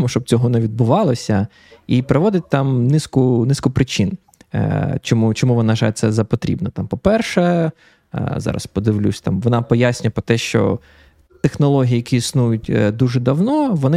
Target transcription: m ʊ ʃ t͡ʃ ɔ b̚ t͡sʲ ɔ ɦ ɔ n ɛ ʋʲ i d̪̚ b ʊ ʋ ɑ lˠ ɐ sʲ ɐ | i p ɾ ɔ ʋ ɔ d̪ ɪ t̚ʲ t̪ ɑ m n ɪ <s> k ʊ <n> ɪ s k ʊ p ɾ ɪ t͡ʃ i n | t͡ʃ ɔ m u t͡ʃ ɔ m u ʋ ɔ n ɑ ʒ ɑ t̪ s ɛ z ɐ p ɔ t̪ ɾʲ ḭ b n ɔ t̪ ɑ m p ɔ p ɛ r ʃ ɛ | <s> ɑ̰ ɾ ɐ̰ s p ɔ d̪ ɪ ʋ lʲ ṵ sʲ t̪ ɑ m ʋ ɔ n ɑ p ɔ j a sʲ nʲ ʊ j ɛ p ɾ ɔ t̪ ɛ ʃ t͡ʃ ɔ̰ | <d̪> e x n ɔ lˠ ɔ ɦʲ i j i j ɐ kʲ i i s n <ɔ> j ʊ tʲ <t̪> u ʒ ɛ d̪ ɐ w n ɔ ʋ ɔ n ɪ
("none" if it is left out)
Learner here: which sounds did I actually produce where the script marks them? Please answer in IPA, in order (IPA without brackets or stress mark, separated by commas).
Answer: s, n, z, t̪, u, d̪